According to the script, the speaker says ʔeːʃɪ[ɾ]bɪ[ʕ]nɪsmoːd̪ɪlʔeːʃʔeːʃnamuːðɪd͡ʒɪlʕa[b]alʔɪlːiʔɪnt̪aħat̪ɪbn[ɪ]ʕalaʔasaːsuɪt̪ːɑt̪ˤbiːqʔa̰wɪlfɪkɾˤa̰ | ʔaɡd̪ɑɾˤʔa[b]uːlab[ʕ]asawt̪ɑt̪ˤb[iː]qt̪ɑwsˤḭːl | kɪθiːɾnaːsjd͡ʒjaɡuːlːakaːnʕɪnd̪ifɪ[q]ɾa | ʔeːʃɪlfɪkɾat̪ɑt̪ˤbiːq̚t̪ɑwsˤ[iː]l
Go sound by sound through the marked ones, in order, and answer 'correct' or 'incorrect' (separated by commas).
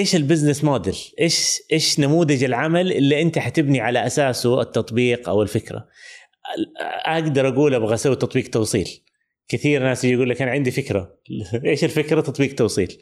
incorrect, incorrect, incorrect, incorrect, incorrect, incorrect, correct, incorrect, correct